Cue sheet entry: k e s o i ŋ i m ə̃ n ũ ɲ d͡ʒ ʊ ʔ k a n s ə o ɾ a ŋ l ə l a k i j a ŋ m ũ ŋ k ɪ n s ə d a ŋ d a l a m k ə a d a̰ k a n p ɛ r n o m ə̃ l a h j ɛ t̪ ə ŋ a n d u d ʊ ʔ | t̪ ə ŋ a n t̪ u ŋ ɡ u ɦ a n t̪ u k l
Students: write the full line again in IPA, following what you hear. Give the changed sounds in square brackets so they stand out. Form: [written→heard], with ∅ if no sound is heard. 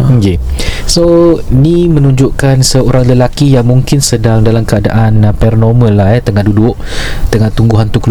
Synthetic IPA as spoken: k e s o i [ŋ→n] i m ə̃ n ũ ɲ d͡ʒ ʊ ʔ k a n s ə o ɾ a ŋ l ə l a k i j a ŋ m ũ ŋ k ɪ n s ə d a ŋ d a l a m k ə a d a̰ [k→ʔ] a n p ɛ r n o m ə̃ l a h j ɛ t̪ ə ŋ a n d u d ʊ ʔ | t̪ ə ŋ a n t̪ u ŋ ɡ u ɦ a n t̪ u k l